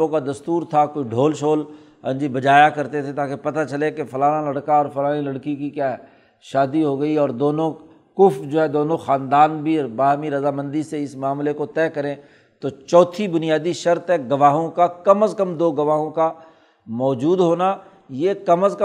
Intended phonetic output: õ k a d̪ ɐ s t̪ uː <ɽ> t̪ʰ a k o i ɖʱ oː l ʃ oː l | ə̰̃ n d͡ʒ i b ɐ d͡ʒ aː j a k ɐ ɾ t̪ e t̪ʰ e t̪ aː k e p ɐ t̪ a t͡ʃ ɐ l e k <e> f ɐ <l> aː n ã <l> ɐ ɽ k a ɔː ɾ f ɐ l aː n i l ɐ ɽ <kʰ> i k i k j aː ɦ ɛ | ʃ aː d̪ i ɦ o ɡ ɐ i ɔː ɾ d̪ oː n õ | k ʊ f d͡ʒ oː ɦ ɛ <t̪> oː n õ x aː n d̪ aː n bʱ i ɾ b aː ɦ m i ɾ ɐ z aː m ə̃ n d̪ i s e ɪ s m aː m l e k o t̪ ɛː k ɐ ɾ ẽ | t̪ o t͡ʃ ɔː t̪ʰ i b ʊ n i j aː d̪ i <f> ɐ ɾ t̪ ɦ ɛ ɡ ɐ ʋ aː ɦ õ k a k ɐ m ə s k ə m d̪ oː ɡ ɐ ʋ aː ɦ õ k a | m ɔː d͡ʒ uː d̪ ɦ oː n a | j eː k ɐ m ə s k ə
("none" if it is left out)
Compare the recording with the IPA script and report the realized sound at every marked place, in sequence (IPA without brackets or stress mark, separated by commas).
ɾ, e, l, l, k, d̪, ʃ